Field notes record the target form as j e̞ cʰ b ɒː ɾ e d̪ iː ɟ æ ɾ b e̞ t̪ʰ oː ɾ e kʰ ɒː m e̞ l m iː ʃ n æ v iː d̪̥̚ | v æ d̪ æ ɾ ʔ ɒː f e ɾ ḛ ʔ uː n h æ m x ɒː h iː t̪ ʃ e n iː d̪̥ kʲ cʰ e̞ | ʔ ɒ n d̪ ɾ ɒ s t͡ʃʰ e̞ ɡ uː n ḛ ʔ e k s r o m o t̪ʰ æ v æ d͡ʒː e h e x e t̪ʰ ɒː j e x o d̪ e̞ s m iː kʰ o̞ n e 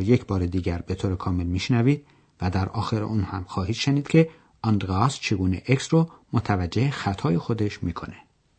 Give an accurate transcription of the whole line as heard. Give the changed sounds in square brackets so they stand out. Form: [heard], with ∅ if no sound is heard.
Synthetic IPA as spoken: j e̞ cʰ b ɒː ɾ e d̪ iː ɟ æ ɾ b e̞ t̪ʰ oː ɾ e kʰ ɒː m e̞ l m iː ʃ n æ v iː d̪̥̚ | v æ d̪ æ ɾ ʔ ɒː [x] e ɾ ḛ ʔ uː n h æ m x ɒː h iː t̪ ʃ e n iː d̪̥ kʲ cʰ e̞ | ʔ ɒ n d̪ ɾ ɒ s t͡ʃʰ e̞ ɡ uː n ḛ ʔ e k s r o m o t̪ʰ æ v æ d͡ʒː e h e x [æ] t̪ʰ ɒː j e x o d̪ e̞ [ʃ] m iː kʰ o̞ n e